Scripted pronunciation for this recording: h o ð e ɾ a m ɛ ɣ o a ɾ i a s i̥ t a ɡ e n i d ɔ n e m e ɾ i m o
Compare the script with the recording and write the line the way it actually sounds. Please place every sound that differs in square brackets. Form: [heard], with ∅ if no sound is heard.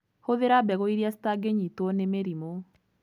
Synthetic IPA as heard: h o ð e ɾ a [b] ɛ ɣ o [i] ɾ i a s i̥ t a ɡ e [ɲ] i [t] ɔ n e m e ɾ i m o

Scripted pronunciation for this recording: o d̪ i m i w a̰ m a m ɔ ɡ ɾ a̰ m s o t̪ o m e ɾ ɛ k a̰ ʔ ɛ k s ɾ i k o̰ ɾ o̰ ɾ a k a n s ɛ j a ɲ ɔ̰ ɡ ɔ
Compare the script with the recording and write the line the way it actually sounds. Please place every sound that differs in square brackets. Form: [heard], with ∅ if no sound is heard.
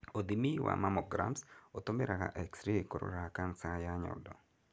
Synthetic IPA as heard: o d̪ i m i w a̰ m a m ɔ ɡ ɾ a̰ m s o t̪ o m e ɾ [a] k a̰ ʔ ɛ k s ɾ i k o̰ ɾ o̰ ɾ a k a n s [a] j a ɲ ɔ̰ [d] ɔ

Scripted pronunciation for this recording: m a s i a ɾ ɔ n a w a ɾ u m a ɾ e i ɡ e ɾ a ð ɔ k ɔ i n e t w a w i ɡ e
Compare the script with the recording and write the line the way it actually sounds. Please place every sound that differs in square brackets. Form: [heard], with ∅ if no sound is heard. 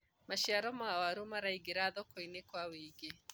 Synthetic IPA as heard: m a [ʃ] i a ɾ ɔ [m] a w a ɾ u m a ɾ [a] i ɡ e ɾ a ð ɔ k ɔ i n e [k] w a w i ɡ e

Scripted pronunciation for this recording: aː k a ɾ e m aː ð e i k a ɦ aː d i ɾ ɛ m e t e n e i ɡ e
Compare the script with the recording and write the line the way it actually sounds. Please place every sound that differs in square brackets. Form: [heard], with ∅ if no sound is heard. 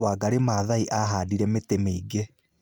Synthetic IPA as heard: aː [ɡ] a ɾ e m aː ð [a] i [ʔ] a ɦ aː d i ɾ ɛ m e t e [m] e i ɡ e

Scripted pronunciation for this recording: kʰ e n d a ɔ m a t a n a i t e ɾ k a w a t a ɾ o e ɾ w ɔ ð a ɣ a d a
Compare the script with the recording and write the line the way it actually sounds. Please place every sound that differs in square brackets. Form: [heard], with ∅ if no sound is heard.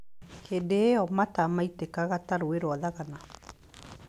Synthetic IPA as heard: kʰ e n d [e] ɔ m a t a [m] a i t e [∅] k a [ɣ] a t a ɾ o e ɾ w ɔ ð a ɣ a [n] a

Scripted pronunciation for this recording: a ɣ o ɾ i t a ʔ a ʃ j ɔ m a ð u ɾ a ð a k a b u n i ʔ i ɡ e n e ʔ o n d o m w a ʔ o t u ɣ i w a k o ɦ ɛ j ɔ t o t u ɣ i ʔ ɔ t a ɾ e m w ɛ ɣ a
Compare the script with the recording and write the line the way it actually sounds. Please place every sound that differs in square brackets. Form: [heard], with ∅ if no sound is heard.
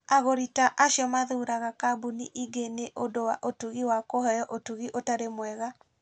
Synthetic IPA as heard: a ɣ o ɾ i t a ʔ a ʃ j ɔ m a ð u ɾ a [ɣ] a k a b u n i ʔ i ɡ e n e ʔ o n d o [∅] w a ʔ o t u ɣ i w a k o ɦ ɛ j ɔ [ʔ] o t u ɣ i ʔ [o] t a ɾ e m w ɛ ɣ a

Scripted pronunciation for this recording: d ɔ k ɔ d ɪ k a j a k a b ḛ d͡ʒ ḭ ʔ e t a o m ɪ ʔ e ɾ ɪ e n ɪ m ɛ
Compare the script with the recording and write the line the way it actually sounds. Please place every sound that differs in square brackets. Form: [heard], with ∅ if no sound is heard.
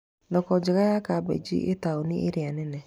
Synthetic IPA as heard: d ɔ k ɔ [d͡ʒ] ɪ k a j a k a b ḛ d͡ʒ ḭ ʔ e t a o [n] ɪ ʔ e ɾ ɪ [a] n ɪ [n] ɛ

